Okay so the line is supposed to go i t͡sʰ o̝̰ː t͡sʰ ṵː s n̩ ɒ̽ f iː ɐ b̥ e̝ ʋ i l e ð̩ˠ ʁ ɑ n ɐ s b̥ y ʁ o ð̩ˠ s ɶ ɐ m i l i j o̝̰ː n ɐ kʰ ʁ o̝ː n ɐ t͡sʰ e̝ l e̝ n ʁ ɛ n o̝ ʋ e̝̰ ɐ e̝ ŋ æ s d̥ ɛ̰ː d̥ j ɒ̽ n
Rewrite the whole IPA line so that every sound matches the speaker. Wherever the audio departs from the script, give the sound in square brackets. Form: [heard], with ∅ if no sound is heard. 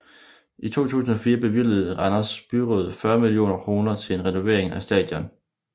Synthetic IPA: i t͡sʰ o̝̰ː t͡sʰ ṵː s n̩ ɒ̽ f iː ɐ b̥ e̝ ʋ i l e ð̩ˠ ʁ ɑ n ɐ s b̥ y ʁ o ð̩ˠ [f] ɶ ɐ m i l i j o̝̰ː n ɐ kʰ ʁ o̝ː n ɐ t͡sʰ e̝ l e̝ n ʁ ɛ n o̝ ʋ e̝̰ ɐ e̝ ŋ æ s d̥ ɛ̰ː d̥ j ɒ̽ n